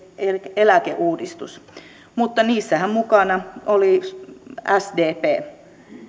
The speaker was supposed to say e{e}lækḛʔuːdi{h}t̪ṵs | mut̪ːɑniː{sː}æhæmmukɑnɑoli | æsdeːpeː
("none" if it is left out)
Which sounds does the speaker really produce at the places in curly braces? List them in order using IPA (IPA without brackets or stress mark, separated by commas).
e, s, sː